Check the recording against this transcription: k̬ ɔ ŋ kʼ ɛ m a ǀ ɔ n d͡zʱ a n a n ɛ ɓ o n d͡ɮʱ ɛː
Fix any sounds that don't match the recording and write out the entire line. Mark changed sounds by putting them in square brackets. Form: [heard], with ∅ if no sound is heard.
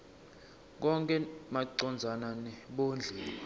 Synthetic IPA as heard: k̬ ɔ ŋ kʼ ɛ m a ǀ ɔ n d͡zʱ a n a n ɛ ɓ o n d͡ɮʱ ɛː